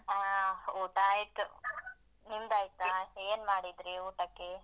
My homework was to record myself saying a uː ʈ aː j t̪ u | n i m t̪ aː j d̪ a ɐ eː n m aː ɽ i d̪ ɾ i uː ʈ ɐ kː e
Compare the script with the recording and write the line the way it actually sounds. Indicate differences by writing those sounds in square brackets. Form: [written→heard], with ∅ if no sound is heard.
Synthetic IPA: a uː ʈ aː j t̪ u | n i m [t̪→d̪] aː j [d̪→t̪] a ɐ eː n m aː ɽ i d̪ ɾ i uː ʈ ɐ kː e